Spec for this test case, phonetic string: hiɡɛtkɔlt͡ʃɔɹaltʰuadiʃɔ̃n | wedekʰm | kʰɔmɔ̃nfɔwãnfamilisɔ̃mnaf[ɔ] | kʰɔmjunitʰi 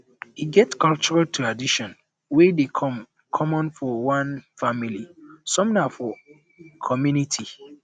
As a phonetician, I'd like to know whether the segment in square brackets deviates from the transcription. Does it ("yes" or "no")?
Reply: no